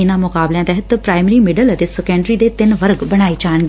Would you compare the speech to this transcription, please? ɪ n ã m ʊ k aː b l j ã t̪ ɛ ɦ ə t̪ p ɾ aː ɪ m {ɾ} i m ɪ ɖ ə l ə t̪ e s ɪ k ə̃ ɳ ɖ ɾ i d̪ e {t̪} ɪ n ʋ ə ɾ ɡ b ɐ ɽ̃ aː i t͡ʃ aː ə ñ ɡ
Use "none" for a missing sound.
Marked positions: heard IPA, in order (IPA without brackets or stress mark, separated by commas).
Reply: ɾ, t̪